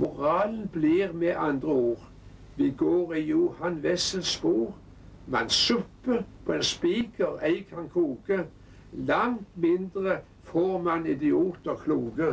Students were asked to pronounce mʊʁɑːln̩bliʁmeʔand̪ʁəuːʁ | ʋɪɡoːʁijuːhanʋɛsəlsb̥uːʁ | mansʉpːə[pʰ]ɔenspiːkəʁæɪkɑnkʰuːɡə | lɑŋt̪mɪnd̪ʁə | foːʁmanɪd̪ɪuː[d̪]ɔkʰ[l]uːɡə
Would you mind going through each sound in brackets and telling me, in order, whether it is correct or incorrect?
correct, incorrect, correct

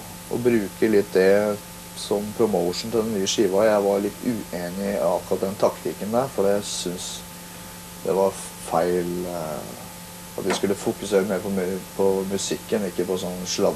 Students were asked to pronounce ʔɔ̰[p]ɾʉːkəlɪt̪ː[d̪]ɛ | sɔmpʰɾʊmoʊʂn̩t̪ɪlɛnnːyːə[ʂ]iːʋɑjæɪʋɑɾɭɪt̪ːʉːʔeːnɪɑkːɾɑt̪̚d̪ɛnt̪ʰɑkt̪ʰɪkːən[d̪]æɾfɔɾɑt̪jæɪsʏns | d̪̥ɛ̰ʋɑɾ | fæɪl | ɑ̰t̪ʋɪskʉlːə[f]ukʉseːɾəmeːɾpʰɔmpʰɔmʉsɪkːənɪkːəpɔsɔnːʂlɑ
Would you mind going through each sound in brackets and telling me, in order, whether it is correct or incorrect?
incorrect, correct, correct, correct, correct

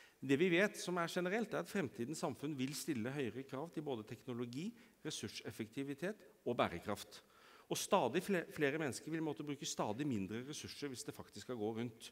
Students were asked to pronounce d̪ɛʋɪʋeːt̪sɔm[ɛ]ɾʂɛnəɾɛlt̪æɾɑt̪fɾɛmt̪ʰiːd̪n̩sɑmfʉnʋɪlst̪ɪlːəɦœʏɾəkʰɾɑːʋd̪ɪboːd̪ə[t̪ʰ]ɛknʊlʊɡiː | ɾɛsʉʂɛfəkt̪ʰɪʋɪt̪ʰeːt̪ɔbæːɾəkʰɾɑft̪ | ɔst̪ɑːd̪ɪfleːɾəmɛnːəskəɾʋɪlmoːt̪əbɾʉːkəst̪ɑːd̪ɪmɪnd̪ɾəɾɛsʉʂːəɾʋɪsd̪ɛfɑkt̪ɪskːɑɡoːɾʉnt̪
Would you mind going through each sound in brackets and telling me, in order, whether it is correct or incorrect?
incorrect, correct

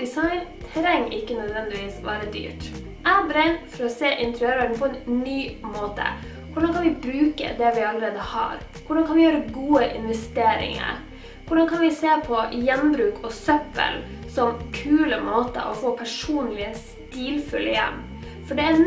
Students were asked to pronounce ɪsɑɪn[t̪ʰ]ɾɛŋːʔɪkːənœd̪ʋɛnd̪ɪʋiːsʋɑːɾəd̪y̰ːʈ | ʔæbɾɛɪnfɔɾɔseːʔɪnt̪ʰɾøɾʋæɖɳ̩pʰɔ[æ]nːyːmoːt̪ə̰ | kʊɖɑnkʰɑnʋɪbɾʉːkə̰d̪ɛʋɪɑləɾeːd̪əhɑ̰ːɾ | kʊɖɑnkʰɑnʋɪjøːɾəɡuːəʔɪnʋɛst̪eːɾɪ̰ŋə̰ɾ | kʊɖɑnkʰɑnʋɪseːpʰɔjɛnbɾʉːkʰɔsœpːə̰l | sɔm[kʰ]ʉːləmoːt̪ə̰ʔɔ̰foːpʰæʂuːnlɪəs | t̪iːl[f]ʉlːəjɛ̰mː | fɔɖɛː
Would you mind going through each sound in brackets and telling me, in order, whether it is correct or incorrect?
correct, incorrect, correct, correct

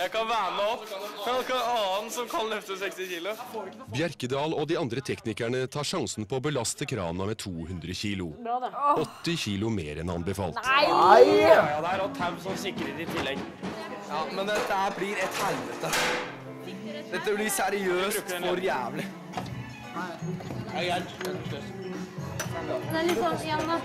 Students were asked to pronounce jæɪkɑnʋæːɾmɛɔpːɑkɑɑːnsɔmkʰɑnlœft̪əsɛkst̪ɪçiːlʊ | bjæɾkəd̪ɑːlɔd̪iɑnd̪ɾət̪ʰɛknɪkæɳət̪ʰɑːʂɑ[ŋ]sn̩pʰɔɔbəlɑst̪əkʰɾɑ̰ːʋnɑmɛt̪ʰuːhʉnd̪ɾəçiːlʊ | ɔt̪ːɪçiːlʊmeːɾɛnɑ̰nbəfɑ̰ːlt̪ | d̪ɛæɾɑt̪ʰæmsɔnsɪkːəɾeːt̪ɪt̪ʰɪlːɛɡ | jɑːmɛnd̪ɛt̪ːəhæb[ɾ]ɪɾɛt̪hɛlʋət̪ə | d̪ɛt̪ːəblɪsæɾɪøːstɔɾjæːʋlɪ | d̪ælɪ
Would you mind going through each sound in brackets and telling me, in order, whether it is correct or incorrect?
correct, incorrect

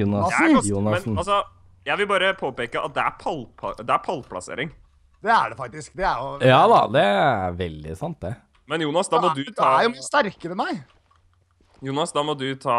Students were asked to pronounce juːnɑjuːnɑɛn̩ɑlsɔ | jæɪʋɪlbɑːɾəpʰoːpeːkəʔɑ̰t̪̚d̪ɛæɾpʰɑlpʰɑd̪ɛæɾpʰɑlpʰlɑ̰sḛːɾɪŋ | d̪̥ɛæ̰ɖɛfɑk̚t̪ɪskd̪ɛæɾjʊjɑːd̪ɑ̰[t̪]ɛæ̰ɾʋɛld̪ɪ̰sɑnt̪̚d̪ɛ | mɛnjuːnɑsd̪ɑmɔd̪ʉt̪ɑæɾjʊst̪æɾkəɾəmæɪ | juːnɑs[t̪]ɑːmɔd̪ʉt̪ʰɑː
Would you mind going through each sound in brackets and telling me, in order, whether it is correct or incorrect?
incorrect, incorrect

